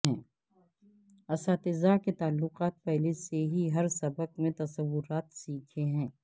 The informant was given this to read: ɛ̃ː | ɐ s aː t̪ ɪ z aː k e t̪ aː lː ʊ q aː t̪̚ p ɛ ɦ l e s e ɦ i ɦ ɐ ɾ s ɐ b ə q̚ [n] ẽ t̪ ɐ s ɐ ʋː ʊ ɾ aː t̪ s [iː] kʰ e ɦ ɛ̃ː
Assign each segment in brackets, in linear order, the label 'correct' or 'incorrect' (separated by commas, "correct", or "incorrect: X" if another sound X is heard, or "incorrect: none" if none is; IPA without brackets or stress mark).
incorrect: m, correct